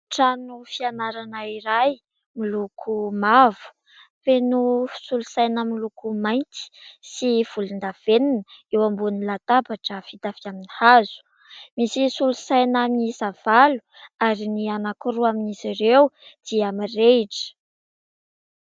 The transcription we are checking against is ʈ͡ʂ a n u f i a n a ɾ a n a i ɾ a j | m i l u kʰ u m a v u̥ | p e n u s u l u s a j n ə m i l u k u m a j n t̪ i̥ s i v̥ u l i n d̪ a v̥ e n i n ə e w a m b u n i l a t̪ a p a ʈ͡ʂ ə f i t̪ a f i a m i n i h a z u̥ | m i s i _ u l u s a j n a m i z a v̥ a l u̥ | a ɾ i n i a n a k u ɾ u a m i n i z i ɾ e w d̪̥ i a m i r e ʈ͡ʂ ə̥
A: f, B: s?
B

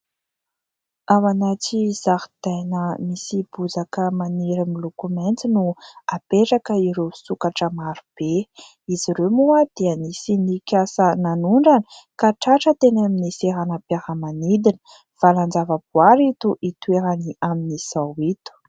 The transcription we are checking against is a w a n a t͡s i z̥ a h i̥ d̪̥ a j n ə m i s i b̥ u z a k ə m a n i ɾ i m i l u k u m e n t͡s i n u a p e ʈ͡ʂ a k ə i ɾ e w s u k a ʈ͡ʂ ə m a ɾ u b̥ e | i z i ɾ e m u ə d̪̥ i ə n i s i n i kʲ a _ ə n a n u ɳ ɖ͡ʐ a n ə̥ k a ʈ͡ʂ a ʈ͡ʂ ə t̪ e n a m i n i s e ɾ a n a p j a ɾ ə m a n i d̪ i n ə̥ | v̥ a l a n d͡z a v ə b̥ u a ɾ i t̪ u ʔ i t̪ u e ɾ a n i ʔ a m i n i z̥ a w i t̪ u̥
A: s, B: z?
A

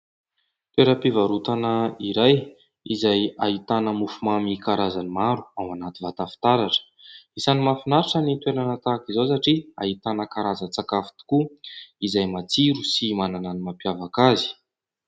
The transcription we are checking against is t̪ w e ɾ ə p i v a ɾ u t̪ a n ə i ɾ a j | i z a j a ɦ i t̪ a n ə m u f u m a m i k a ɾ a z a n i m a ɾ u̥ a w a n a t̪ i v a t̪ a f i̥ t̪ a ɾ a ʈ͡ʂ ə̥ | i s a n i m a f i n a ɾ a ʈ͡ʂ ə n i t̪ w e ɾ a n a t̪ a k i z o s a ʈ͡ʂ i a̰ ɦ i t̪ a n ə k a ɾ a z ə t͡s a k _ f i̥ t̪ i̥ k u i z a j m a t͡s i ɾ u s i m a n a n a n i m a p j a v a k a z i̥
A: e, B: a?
B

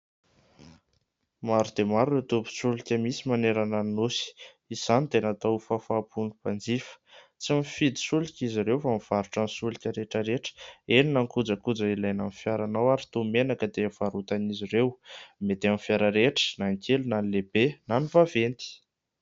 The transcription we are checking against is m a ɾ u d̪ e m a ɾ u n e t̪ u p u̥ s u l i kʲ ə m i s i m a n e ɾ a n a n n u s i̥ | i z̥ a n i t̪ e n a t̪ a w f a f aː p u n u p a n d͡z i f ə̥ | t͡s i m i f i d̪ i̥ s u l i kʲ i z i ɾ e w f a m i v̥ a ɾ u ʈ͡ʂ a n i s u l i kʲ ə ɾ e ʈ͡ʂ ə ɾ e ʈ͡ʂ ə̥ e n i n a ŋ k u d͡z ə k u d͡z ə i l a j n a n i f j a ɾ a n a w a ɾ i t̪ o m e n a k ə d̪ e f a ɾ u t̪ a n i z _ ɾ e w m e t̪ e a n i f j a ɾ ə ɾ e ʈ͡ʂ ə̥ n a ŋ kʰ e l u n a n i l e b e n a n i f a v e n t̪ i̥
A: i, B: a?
A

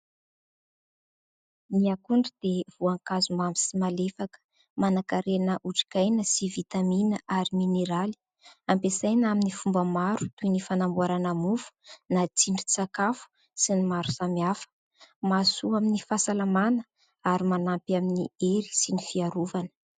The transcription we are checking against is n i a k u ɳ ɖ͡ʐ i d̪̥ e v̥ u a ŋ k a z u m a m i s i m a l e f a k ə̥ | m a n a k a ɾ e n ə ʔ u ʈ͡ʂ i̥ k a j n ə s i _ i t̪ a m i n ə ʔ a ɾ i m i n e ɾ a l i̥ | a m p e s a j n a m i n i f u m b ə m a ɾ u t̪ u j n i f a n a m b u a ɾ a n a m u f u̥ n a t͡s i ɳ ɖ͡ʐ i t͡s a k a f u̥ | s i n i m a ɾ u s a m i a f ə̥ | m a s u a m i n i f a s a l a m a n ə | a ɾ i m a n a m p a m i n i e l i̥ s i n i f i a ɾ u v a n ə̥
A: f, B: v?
B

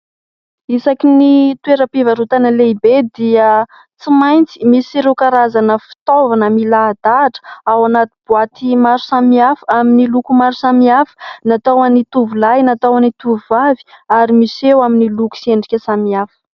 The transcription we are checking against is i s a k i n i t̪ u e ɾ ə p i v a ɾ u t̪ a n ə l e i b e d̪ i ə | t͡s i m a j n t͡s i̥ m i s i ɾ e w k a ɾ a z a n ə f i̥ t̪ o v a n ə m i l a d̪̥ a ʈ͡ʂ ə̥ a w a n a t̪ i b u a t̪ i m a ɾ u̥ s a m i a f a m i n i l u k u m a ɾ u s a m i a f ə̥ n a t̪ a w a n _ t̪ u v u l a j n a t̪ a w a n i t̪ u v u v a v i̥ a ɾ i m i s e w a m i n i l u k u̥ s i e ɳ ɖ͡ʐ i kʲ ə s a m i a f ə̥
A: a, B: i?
B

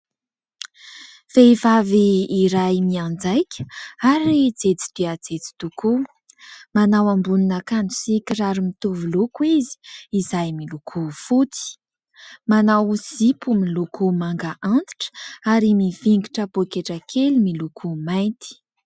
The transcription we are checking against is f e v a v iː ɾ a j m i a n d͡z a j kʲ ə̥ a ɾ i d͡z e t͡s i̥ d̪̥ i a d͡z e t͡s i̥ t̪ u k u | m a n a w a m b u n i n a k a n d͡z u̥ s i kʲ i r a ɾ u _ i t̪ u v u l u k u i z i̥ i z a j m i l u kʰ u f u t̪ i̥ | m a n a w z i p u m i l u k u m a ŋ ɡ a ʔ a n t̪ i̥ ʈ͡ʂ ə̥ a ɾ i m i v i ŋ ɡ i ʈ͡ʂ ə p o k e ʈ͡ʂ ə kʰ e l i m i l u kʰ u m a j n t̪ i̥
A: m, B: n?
A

